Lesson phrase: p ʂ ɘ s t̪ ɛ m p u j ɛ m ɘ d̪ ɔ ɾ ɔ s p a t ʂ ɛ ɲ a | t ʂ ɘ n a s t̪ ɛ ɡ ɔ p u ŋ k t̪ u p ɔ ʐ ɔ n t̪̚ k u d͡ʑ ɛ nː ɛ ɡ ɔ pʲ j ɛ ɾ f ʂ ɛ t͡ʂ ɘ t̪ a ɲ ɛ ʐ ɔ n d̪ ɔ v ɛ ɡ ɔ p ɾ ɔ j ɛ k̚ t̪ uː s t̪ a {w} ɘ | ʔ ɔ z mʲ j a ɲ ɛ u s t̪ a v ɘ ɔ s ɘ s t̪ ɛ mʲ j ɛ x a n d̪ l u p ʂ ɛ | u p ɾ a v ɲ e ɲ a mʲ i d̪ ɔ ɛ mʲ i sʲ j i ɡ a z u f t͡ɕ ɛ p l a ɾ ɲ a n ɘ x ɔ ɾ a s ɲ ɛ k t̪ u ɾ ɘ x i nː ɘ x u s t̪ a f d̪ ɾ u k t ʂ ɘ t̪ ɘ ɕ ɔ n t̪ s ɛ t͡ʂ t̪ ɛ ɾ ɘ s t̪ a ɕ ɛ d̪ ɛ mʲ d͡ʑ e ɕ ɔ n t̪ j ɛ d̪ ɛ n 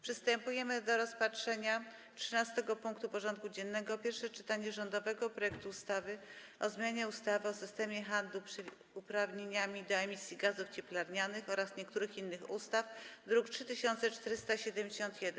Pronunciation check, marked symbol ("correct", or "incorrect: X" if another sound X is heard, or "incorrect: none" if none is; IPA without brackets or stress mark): incorrect: v